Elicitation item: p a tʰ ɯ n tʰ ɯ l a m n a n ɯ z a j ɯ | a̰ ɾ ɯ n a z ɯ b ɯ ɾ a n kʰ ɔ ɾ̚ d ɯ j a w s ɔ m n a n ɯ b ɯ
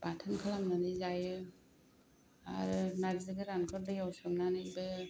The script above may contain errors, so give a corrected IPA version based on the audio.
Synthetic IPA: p a tʰ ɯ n kʰ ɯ l a m n a n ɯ z a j ɯ | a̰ ɾ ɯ n a z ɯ ɡ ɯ ɾ a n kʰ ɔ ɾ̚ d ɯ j a w s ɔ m n a n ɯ b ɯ